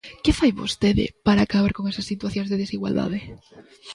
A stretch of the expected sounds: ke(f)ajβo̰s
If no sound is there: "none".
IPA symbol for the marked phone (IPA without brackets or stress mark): f